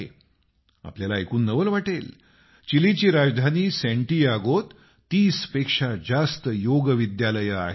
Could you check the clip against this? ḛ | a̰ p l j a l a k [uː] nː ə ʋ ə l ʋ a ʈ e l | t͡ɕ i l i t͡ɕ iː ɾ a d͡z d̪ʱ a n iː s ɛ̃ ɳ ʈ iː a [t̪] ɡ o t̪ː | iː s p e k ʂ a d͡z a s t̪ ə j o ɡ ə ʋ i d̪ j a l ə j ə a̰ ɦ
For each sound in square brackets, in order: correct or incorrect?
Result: correct, incorrect

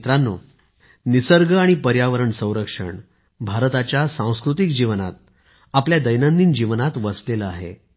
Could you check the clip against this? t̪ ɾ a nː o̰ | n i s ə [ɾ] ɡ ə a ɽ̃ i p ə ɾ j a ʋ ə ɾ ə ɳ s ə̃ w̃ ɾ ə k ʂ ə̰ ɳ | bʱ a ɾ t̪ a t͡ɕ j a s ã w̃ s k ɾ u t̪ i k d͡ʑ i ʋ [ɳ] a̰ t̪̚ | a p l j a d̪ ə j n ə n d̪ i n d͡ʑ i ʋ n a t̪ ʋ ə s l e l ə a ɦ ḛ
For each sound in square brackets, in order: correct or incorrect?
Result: correct, incorrect

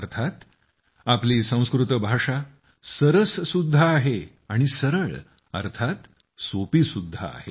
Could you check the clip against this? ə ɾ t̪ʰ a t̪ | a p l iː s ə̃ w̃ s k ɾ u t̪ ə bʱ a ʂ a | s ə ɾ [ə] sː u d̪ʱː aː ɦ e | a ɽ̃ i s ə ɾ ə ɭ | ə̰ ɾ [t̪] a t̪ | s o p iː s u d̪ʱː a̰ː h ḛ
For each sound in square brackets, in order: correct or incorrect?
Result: correct, incorrect

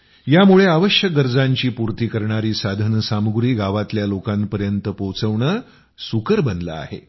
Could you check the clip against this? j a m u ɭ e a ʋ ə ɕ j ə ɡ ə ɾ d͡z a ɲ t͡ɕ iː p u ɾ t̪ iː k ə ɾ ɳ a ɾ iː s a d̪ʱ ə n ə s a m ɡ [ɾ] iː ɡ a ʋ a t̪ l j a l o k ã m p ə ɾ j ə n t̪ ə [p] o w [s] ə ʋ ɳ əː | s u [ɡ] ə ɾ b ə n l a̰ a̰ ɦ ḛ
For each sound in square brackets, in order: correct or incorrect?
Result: correct, correct, incorrect, incorrect

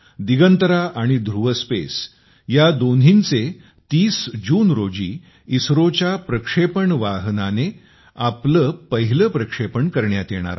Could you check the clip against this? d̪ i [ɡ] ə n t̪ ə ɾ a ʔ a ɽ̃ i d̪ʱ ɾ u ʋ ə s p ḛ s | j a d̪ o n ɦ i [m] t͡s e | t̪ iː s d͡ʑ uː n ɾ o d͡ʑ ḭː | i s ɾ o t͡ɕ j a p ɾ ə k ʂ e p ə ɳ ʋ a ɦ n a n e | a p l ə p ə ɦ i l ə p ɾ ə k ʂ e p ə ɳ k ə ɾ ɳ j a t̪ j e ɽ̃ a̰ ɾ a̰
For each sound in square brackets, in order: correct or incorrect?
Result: correct, incorrect

